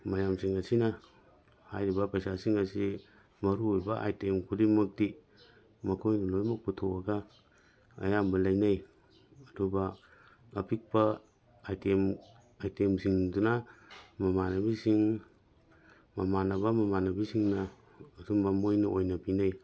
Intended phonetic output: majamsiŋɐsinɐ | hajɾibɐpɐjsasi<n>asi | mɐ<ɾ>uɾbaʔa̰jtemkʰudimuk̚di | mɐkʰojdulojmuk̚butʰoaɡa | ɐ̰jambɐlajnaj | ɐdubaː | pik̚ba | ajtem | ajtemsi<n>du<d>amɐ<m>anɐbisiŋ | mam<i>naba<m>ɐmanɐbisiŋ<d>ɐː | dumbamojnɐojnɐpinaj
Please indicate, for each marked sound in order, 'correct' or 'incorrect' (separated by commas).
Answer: incorrect, correct, incorrect, incorrect, correct, incorrect, correct, incorrect